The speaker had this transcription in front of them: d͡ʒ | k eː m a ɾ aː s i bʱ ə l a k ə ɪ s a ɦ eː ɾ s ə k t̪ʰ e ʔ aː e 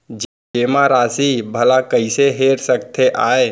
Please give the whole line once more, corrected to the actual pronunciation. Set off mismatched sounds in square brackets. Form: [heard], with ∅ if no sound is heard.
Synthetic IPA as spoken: d͡ʒ | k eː m a ɾ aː s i bʱ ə l a k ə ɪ s [e] ɦ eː ɾ s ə k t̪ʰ e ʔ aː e